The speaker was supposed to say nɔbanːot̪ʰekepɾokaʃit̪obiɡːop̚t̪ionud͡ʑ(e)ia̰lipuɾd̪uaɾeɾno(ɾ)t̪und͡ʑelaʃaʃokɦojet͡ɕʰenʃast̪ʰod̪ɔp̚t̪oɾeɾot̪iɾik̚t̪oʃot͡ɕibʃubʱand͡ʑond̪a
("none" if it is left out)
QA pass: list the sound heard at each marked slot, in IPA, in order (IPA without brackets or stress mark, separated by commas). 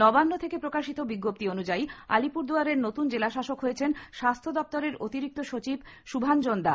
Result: a, none